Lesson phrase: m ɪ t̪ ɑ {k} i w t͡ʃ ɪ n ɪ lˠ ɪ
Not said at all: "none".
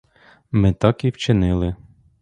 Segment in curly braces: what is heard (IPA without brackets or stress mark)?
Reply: k